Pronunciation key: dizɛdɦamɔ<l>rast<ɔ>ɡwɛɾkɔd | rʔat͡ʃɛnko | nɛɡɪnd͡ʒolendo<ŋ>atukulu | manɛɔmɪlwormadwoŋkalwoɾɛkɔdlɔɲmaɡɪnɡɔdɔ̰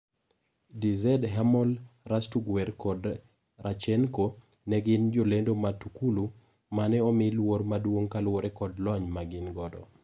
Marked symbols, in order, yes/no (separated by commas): yes, no, no